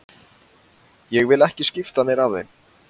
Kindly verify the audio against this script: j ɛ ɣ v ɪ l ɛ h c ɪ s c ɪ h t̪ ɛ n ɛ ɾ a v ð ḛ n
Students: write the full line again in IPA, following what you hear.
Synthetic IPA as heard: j ɛ ɣ v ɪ l ɛ h c ɪ s c ɪ f t̪ a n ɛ ɾ a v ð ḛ n

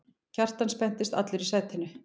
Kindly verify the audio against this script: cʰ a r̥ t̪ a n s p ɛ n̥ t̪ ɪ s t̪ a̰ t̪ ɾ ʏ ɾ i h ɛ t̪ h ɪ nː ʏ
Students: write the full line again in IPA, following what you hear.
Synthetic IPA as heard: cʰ a r̥ t̪ a n s p ɛ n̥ t̪ ɪ s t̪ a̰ t̪ l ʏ ɾ i s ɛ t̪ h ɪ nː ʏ

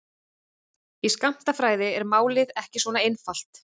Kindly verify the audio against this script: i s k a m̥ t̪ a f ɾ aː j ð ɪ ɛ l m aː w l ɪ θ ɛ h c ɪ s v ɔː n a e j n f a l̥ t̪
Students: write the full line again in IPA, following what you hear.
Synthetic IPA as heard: i s k a m̥ t̪ a f ɾ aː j ð ɪ ɛ ɾ m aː w l ɪ ð ɛ h c ɪ s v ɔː n a e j n f a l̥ t̪

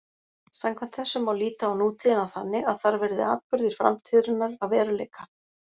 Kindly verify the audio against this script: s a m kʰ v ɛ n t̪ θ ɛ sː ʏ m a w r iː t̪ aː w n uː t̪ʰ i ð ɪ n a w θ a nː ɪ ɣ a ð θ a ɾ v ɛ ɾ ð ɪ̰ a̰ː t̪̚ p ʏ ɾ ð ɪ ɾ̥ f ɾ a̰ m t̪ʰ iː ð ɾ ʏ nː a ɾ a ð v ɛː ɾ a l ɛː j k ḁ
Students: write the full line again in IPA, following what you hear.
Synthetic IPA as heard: s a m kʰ v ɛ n t̪ θ ɛ sː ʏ m a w l iː t̪ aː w n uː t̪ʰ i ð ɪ n a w θ a nː ɪ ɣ a ð θ a ɾ v ɛ ɾ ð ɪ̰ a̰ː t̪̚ p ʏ ɾ ð ɪ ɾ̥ f ɾ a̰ m t̪ʰ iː ð ɾ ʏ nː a ɾ a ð v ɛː ɾ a l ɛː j k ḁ

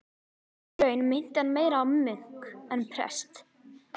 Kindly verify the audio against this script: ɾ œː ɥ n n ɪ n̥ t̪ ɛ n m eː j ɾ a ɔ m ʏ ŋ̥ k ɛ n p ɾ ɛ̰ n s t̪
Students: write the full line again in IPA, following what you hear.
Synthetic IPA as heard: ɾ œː ɥ n m ɪ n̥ t̪ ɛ n m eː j ɾ a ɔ m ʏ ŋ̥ k ɛ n pʰ ɾ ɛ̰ s t̪

